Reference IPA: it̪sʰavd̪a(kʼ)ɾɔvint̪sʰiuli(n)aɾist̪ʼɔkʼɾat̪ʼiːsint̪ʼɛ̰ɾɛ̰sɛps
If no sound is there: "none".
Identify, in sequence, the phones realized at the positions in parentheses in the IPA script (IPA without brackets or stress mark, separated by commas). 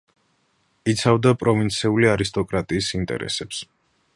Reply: pʼ, none